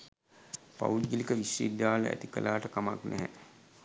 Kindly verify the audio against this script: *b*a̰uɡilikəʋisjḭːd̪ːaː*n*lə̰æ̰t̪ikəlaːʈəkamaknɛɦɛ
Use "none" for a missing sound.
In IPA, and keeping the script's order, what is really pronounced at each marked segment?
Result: p, none

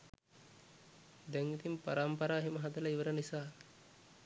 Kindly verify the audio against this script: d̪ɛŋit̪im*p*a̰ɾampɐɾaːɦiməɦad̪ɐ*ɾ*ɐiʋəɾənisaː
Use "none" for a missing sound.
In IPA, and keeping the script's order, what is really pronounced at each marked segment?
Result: p, l

